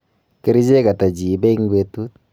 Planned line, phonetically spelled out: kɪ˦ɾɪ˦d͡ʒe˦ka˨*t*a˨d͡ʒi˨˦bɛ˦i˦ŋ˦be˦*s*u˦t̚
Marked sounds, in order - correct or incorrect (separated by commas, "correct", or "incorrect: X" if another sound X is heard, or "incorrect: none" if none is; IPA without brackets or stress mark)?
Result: correct, incorrect: t